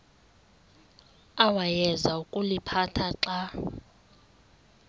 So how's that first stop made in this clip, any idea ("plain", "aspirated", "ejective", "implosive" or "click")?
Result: ejective